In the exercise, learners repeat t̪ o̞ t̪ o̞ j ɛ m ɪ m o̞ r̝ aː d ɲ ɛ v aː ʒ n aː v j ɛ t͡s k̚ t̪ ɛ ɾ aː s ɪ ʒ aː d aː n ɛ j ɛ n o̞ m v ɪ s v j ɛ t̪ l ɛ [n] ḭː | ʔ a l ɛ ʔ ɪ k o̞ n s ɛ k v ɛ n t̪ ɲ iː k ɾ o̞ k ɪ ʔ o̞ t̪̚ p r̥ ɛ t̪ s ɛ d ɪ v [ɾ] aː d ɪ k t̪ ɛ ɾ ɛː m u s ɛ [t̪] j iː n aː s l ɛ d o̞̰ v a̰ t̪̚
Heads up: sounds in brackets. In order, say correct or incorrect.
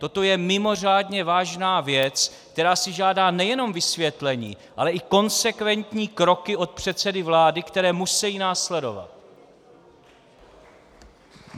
incorrect: ɲ, incorrect: l, incorrect: none

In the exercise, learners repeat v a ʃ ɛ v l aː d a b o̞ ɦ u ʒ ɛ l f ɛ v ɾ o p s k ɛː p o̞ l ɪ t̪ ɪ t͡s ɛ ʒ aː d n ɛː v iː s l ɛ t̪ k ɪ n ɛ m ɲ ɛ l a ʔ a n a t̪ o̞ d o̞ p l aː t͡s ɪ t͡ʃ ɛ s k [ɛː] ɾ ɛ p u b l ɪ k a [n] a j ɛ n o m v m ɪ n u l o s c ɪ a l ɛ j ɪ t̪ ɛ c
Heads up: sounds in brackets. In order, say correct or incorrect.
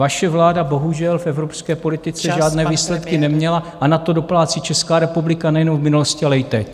incorrect: aː, correct

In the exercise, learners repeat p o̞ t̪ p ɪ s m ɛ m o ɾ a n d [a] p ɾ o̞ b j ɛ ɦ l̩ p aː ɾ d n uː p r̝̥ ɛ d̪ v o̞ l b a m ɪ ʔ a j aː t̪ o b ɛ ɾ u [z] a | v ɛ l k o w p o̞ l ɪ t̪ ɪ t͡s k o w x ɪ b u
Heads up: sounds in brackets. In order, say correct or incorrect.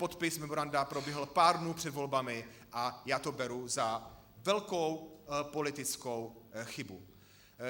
correct, correct

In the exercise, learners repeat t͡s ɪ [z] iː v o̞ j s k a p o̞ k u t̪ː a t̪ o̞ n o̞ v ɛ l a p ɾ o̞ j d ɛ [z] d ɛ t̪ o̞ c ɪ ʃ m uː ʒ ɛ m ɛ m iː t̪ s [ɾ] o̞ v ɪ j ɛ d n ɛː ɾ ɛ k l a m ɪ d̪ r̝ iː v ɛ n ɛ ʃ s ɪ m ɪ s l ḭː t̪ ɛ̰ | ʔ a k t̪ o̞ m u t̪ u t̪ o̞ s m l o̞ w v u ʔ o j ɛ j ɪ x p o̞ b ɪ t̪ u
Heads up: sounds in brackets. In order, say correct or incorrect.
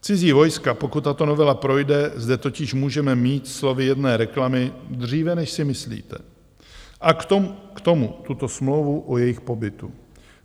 correct, correct, incorrect: l

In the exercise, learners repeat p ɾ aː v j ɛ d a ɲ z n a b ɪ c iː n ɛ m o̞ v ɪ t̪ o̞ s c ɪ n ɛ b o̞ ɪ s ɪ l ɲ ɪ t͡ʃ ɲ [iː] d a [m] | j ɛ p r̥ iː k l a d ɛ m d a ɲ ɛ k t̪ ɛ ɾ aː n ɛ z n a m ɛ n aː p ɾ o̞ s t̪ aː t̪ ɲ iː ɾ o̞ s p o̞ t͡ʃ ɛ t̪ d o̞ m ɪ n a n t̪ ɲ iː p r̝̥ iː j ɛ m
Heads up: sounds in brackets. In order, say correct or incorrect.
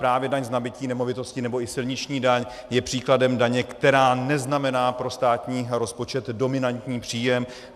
correct, incorrect: ɲ

